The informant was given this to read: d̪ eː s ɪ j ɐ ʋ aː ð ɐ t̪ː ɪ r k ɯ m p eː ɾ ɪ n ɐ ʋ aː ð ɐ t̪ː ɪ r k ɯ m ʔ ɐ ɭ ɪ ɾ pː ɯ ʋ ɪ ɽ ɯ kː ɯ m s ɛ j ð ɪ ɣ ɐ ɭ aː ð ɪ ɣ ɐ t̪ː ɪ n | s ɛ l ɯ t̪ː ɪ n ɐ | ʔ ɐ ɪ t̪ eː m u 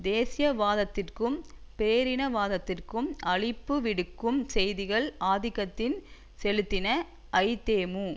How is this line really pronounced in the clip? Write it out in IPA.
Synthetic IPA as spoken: d̪ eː s ɪ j ɐ ʋ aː ð ɐ t̪ː ɪ r k ɯ m p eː ɾ ɪ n ɐ ʋ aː ð ɐ t̪ː ɪ r k ɯ m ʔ ɐ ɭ ɪ pː ɯ ʋ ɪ ɽ ɯ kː ɯ m s ɛ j ð ɪ ɣ ɐ ɭ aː ð ɪ ɣ ɐ t̪ː ɪ n | s ɛ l ɯ t̪ː ɪ n ɐ | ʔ ɐ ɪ t̪ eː m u